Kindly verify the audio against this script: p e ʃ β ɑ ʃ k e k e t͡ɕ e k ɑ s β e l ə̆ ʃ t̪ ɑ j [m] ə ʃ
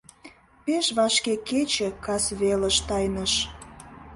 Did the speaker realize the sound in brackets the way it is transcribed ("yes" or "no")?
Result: no